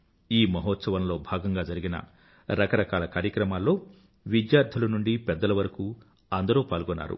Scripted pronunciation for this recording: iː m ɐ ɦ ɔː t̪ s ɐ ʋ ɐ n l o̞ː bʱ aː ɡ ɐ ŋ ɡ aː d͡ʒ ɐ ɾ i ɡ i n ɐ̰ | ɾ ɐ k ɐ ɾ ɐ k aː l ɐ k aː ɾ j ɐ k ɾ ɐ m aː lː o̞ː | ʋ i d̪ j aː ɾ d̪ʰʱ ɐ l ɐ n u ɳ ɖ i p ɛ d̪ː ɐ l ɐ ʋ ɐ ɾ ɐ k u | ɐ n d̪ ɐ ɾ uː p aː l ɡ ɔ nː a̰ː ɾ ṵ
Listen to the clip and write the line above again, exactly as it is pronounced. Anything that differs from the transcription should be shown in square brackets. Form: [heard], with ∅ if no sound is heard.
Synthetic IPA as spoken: iː m ɐ ɦ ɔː t̪ s ɐ ʋ ɐ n l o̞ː bʱ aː ɡ ɐ ŋ ɡ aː d͡ʒ ɐ ɾ i ɡ i n ɐ̰ | ɾ ɐ k ɐ ɾ ɐ k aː l ɐ k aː ɾ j ɐ k ɾ ɐ m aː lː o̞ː | ʋ i d̪ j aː ɾ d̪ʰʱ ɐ l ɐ n u ɳ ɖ i p ɛ d̪ː ɐ l ɐ ʋ ɐ ɾ ɐ k u | ɐ n d̪ ɐ ɾ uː p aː l ɡ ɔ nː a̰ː ɾ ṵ

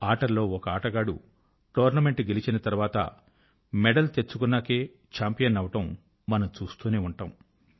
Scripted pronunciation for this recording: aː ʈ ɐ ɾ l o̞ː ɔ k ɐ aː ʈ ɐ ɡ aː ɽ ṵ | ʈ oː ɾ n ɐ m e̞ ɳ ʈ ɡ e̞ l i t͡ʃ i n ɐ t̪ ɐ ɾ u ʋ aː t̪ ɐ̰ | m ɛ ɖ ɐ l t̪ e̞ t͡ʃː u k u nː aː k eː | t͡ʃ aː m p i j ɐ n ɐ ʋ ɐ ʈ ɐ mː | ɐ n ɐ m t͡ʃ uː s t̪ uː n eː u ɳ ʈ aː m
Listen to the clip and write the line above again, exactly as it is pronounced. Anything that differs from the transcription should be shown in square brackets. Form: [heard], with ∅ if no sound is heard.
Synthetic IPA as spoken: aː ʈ ɐ ɾ l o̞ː ɔ k ɐ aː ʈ ɐ ɡ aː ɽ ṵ | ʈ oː ɾ n ɐ m e̞ ɳ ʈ ɡ e̞ l i t͡ʃ i n ɐ t̪ ɐ ɾ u ʋ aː t̪ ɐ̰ | m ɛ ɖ ɐ l t̪ e̞ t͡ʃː u k u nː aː k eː | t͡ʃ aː m p i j ɐ n ɐ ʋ ɐ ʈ ɐ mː | ɐ n ɐ m t͡ʃ uː s t̪ uː n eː u ɳ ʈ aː m

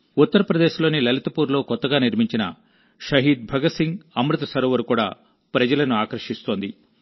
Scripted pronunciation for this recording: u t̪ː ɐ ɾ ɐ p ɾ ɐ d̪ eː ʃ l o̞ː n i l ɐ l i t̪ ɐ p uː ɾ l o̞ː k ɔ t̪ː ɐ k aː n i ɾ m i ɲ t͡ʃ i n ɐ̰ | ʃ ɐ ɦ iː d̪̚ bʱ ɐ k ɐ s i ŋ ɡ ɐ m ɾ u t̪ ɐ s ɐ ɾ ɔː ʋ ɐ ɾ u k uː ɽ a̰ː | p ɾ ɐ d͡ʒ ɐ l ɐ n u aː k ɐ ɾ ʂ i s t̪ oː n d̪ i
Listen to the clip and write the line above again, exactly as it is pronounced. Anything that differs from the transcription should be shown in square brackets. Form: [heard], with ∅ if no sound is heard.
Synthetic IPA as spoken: u t̪ː ɐ ɾ ɐ p ɾ ɐ d̪ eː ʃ l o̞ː n i l ɐ l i t̪ ɐ p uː ɾ l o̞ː k ɔ t̪ː ɐ [ɡ] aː n i ɾ m i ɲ t͡ʃ i n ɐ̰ | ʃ ɐ ɦ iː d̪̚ bʱ ɐ [ɡ] ɐ s i ŋ ɡ ɐ m ɾ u t̪ ɐ s ɐ ɾ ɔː ʋ ɐ ɾ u k uː ɽ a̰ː | p ɾ ɐ d͡ʒ ɐ l ɐ n u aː k ɐ ɾ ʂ i s t̪ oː n d̪ i

